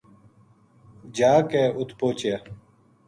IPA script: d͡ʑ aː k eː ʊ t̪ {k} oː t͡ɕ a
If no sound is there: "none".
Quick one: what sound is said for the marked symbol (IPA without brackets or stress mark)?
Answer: p